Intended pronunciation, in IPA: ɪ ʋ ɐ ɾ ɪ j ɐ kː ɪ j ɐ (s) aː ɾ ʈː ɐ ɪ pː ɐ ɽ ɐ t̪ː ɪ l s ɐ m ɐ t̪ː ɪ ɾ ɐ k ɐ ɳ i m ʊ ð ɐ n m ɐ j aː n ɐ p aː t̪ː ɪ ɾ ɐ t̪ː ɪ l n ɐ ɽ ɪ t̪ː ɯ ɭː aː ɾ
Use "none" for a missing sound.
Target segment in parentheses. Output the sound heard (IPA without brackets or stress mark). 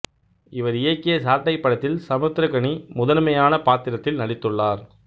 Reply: s